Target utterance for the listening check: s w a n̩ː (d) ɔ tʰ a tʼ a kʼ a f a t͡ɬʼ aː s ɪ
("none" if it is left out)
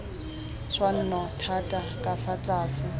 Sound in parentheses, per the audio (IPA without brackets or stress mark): n